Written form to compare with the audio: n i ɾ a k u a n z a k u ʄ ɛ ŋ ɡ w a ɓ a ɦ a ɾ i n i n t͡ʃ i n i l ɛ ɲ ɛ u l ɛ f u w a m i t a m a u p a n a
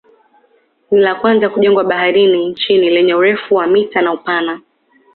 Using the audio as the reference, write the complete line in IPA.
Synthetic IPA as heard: n i l a k w a n z a k u ʄ ɛ ŋ ɡ w a ɓ a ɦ a ɾ i n i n t͡ʃ i n i l ɛ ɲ ɛ u ɾ ɛ f u w a m i t a n a u p a n a